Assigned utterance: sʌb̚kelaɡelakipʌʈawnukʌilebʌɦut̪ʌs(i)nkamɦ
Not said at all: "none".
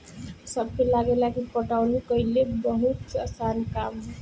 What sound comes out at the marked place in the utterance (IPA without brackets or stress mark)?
a